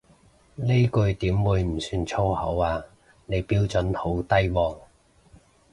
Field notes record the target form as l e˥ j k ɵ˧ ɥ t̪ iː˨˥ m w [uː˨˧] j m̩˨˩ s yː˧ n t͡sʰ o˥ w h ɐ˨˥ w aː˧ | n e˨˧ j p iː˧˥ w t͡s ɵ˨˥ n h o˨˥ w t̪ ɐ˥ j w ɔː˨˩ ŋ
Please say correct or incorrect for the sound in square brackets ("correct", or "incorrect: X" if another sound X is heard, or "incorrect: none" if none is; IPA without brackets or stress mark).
correct